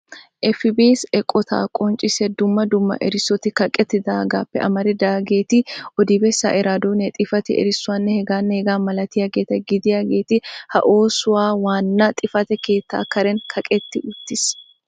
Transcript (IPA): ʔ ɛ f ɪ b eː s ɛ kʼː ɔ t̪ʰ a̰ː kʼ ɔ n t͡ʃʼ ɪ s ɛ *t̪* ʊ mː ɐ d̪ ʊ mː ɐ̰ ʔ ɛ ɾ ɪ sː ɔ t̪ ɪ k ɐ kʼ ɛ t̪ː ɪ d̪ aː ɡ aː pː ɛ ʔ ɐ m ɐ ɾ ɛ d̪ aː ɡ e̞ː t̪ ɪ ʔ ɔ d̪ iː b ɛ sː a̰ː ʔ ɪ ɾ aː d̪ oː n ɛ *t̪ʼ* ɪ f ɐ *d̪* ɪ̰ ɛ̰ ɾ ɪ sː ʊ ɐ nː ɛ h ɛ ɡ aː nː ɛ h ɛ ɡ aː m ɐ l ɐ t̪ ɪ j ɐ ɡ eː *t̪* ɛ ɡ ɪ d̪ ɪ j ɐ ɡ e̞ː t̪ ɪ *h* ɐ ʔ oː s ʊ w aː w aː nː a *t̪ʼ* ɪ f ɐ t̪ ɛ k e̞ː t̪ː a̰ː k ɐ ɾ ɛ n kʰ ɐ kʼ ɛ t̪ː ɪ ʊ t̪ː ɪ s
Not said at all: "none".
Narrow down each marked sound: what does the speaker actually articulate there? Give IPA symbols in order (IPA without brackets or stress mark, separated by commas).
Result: d̪, t̪ʼ, t̪, t̪, h, t̪ʼ